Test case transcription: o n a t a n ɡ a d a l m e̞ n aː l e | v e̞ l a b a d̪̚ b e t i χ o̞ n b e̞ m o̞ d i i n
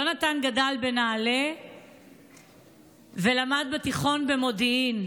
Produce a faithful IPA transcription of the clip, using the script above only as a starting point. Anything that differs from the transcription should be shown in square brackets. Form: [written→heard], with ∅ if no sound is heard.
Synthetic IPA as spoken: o n a t a n ɡ a d a l [m→b] e̞ n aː l e | v e̞ l a [b→m] a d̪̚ b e t i χ o̞ n b e̞ m o̞ d i i n

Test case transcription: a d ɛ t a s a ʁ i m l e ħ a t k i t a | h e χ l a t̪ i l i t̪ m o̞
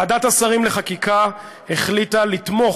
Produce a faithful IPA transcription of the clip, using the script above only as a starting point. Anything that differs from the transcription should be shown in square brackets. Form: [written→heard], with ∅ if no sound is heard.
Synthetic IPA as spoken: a d [ɛ→a] t a s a ʁ i m l e [ħ→χ] a [t→∅] k i [t→k] a | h e χ l [a→i] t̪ [i→a] l i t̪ m o̞

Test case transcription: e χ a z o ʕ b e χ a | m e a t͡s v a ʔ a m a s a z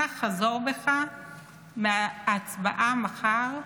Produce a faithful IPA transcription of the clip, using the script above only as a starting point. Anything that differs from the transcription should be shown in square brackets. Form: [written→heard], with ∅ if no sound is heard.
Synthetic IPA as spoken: [e→a] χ a z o [ʕ→ʁ] b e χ a | m e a t͡s [v→b] a ʔ a m a [s→χ] a [z→ʁ]

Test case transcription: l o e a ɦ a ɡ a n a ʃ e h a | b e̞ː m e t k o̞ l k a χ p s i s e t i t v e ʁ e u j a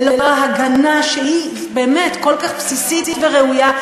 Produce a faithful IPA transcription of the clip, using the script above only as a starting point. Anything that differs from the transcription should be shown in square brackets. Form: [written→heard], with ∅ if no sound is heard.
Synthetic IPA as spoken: l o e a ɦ a ɡ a n a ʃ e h [a→i] | b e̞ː m e t k o̞ l k a χ p s i s [e→i] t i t v e ʁ e u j a

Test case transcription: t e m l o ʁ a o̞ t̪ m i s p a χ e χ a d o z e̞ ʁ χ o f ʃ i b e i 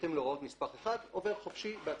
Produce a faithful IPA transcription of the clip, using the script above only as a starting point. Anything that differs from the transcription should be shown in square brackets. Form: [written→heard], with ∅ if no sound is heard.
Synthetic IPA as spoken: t e m l o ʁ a o̞ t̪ m i s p a χ e χ a d o [z→v] e̞ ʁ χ o f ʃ i b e [i→a]

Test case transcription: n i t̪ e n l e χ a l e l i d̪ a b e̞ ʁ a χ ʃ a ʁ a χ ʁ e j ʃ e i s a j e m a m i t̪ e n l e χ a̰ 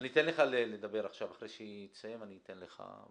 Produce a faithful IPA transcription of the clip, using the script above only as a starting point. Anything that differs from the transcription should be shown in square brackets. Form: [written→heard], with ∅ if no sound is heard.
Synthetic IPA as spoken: n i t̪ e n l e χ a l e l [i→e] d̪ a b e̞ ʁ a χ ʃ a [ʁ→v] a χ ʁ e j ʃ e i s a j e m a [m→n] i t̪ e n l e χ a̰

